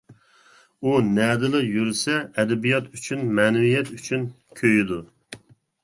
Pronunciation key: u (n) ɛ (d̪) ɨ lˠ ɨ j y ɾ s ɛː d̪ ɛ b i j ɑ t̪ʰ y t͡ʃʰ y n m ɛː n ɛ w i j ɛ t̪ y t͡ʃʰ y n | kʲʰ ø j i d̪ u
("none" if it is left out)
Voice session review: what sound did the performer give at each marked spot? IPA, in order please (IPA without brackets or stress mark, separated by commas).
n, d̪